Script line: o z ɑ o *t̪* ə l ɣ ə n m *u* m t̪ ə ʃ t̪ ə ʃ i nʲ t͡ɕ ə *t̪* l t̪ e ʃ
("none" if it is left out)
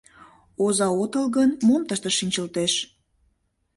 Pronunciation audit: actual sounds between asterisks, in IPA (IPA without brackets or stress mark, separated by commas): t̪, o, none